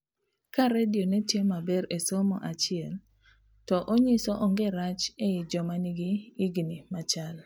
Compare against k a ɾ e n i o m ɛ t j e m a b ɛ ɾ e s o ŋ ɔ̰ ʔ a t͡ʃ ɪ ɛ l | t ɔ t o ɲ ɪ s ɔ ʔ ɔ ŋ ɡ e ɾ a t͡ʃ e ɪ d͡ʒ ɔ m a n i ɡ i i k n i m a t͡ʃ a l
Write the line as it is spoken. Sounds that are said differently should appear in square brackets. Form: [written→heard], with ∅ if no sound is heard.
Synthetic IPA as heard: k a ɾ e [n→d] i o [m→n] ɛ t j e m a b ɛ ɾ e s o [ŋ→m] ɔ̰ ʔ a t͡ʃ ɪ ɛ l | t ɔ [t→ʔ] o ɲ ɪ s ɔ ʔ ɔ ŋ ɡ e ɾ a t͡ʃ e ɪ d͡ʒ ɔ m a n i ɡ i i [k→ɡ] n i m a t͡ʃ a l

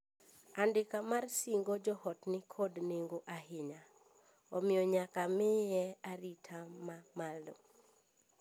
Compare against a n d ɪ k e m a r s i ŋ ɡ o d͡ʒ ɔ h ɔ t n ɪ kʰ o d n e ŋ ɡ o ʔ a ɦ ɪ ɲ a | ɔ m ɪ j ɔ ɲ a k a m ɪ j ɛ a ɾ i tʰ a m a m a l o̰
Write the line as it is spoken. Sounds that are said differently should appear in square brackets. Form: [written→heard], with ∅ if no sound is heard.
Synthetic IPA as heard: a n d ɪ k [e→a] m a r s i ŋ ɡ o d͡ʒ ɔ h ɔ t n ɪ kʰ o d n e ŋ ɡ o ʔ a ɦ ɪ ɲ a | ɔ m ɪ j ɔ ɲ a k a m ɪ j ɛ a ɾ i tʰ a m a m a l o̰

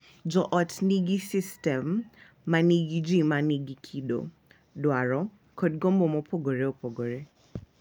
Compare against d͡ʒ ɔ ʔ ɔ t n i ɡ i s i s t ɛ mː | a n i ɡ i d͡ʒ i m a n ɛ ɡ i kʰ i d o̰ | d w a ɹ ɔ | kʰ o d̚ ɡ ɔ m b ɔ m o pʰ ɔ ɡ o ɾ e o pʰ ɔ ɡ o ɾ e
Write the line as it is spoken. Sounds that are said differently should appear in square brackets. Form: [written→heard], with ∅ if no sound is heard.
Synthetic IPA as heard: d͡ʒ ɔ ʔ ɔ t n i ɡ i s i s t ɛ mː | a n i ɡ i d͡ʒ i m a n [ɛ→i] ɡ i kʰ i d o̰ | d w a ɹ ɔ | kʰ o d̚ ɡ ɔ m b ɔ m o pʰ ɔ ɡ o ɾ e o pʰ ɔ ɡ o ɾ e

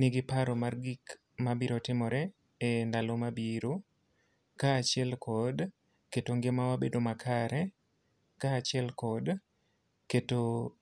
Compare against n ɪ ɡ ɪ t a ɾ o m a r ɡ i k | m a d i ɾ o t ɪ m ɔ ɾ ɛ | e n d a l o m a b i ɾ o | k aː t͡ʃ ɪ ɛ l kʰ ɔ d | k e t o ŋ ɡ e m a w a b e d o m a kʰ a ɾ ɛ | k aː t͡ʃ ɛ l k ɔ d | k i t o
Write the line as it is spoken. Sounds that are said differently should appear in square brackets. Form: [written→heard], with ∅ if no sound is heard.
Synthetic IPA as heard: n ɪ ɡ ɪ [t→p] a ɾ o m a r ɡ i k | m a [d→b] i ɾ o t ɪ m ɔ ɾ ɛ | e n d a l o m a b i ɾ o | k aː t͡ʃ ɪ ɛ l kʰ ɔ d | k e t o ŋ ɡ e m a w a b e d o m a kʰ a ɾ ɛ | k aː t͡ʃ ɛ l k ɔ d | k [i→e] t o

